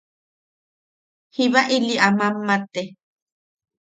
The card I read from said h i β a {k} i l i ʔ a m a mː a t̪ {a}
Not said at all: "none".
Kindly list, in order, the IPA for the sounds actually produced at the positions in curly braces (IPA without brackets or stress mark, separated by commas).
ʔ, e